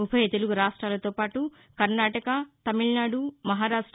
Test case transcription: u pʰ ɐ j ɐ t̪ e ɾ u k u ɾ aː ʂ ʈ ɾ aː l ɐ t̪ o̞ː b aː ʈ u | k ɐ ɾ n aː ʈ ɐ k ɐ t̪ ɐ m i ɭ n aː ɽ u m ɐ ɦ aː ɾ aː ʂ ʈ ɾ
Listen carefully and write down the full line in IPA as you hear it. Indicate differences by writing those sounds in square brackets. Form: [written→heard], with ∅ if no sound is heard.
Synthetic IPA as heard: u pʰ ɐ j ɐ t̪ e [ɾ→l] u [k→ɡ] u ɾ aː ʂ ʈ ɾ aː l ɐ t̪ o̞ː [b→p] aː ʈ u | k ɐ ɾ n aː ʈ ɐ k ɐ t̪ ɐ m i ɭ n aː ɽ u m ɐ ɦ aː ɾ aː ʂ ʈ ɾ